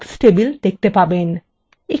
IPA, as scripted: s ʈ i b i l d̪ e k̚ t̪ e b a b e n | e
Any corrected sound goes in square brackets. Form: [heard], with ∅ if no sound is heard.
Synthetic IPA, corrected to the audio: s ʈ [e] b i l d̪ e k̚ t̪ e [p] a b e n | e

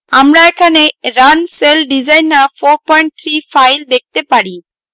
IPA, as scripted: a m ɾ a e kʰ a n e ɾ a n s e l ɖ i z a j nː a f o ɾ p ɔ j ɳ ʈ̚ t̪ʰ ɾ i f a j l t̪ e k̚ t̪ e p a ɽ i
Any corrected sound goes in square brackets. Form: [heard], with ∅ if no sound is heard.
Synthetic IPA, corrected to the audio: a m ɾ a e kʰ a n e ɾ a n s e l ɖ i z a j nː a f o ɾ p ɔ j ɳ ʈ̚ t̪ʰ ɾ i f a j l [d̪] e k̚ t̪ e p a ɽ i

